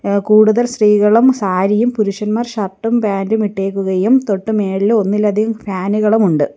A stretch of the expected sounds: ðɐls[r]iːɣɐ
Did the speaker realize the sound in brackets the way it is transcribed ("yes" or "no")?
yes